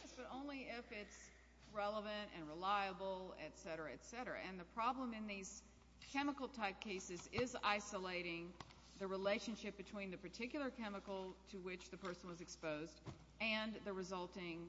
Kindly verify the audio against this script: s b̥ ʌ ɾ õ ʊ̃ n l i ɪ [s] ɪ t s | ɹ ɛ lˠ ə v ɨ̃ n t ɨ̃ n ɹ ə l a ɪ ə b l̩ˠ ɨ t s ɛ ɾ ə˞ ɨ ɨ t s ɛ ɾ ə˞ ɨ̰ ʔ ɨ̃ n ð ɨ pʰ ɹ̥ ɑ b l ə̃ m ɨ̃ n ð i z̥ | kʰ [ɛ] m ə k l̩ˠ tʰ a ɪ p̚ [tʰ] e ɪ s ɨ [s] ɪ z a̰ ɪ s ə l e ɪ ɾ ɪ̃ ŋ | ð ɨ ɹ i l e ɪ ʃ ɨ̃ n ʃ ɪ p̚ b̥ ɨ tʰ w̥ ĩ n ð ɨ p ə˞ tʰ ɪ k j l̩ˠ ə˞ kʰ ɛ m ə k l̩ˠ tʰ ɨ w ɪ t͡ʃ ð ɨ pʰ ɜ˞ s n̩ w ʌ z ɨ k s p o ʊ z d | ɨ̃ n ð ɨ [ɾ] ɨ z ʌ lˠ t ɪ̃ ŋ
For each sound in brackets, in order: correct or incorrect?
incorrect, correct, incorrect, incorrect, incorrect

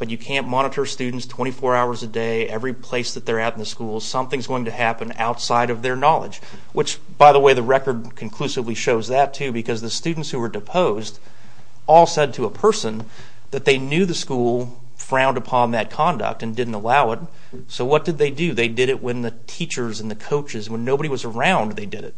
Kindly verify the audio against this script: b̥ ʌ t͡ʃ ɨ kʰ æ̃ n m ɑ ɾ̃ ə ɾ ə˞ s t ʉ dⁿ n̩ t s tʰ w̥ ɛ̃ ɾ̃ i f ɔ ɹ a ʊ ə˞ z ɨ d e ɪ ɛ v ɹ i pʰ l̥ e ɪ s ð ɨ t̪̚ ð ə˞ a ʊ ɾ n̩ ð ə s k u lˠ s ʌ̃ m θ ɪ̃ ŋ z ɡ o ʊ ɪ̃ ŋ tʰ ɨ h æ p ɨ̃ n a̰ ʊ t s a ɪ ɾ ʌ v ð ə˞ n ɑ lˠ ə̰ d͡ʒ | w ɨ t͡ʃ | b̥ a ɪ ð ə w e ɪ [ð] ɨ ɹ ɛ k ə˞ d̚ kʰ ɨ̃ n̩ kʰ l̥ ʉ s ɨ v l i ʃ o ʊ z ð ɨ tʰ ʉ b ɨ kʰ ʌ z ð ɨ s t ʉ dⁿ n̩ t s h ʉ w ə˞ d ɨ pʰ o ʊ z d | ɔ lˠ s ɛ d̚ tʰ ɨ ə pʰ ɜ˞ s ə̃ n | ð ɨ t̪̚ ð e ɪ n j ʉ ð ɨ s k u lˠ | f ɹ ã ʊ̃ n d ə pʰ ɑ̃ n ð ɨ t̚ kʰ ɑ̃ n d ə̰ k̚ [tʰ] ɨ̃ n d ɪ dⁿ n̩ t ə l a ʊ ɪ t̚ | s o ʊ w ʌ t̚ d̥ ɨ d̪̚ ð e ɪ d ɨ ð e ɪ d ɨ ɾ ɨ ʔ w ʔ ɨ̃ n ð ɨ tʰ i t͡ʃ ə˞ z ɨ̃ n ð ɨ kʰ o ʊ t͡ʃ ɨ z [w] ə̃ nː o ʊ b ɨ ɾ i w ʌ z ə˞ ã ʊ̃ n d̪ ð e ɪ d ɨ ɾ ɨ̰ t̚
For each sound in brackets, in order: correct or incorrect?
correct, incorrect, correct

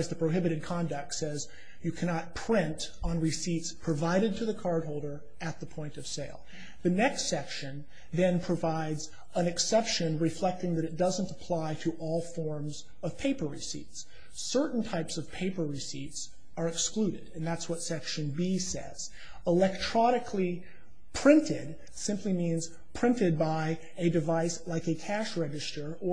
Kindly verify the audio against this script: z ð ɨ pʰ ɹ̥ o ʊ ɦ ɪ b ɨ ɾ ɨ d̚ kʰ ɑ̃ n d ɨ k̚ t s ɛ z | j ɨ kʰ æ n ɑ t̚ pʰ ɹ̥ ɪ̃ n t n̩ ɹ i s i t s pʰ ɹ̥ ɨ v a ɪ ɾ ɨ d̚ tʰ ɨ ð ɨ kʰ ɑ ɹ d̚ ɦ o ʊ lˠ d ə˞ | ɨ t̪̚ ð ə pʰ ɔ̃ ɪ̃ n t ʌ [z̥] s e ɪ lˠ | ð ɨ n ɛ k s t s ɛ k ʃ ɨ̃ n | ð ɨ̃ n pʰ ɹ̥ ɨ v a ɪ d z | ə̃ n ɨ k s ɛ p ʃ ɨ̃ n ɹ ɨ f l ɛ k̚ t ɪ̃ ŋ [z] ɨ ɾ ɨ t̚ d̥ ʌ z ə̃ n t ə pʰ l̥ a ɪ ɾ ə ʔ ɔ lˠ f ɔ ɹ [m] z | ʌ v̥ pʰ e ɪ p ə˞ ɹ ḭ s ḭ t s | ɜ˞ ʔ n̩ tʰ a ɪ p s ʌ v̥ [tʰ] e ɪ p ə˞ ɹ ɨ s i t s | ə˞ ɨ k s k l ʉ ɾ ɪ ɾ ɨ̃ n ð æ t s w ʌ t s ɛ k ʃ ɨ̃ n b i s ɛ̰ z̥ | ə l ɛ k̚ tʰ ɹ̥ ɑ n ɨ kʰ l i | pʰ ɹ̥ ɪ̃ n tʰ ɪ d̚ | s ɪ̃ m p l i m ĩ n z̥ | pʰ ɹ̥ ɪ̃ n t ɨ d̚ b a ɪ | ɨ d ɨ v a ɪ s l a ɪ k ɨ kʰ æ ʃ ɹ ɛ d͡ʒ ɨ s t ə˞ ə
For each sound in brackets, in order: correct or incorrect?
incorrect, incorrect, correct, incorrect

